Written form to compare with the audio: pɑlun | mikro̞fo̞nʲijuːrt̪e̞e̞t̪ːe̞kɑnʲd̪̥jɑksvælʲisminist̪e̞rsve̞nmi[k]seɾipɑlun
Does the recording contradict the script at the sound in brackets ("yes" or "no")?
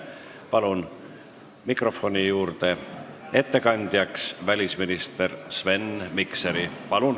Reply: no